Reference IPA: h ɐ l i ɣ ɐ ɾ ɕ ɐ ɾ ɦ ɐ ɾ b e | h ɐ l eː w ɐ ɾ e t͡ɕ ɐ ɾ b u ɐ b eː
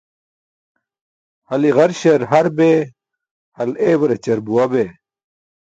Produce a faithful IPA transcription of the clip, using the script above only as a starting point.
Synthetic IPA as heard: h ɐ l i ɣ ɐ ɾ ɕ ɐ ɾ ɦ ɐ ɾ b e | h ɐ l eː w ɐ ɾ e t͡ɕ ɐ ɾ b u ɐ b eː